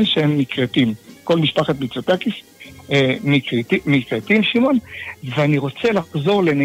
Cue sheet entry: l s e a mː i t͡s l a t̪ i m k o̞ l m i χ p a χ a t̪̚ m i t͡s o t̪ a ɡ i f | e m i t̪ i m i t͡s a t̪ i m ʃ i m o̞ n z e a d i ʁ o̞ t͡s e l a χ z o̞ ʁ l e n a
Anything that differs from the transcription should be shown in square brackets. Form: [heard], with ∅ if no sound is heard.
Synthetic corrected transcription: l [ʃ] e [e] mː i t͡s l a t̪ i m k o̞ l m i [ʃ] p a χ a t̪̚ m i t͡s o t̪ a [k] i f | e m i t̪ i m i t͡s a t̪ i m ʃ i m o̞ n [v] e a [n] i ʁ o̞ t͡s e l a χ z o̞ ʁ l e n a